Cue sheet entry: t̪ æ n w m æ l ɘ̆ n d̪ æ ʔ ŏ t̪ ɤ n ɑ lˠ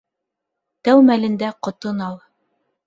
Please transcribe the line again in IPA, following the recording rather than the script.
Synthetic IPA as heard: t̪ æ w m æ l ɘ̆ n d̪ æ q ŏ t̪ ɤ n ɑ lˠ